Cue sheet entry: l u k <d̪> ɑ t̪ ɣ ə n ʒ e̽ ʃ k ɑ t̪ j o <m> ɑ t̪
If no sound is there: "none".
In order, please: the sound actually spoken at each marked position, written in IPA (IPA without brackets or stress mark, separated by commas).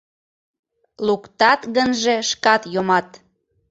t̪, m